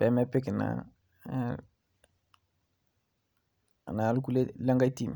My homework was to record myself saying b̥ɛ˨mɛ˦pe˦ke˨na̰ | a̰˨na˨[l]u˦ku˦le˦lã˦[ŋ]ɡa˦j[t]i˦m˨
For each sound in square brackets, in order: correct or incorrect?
correct, correct, correct

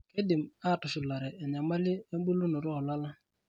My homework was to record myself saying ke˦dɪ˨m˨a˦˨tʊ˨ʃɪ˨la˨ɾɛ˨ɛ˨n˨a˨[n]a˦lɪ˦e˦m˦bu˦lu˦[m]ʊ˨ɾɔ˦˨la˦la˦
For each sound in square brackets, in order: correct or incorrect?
incorrect: m, incorrect: n

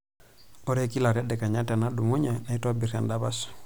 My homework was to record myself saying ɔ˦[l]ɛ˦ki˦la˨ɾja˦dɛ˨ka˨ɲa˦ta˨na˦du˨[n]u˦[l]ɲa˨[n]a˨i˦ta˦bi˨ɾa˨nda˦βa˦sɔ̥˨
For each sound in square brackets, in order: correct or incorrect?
incorrect: ɾ, incorrect: m, incorrect: none, correct

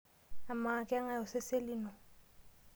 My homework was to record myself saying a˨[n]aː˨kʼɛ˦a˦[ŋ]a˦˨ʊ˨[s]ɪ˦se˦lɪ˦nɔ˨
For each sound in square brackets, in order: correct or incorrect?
incorrect: m, correct, correct

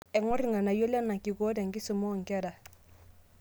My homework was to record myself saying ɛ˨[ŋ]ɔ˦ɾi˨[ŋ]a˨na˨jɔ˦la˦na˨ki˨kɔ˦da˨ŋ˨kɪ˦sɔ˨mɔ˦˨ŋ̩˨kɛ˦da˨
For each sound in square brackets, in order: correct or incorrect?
correct, correct

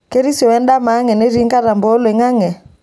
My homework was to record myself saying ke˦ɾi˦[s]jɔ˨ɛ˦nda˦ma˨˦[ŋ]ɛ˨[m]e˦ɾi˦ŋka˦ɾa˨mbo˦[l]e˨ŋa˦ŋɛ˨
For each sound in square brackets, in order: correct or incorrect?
correct, correct, incorrect: n, correct

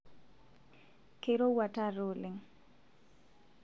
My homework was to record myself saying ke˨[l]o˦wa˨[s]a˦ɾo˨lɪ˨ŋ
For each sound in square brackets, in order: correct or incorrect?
incorrect: ɾ, incorrect: t

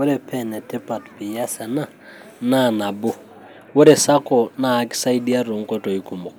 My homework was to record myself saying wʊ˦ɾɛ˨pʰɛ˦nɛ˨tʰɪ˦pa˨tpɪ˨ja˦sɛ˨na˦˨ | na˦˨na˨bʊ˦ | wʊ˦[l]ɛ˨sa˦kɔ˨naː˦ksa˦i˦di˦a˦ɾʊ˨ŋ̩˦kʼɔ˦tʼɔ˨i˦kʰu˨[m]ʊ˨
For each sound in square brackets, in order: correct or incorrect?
incorrect: ɾ, correct

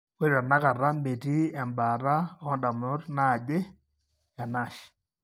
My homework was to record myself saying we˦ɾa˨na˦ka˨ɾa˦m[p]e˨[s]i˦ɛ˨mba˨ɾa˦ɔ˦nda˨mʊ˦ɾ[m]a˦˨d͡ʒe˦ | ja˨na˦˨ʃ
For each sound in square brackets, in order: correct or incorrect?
incorrect: b, incorrect: t, incorrect: n

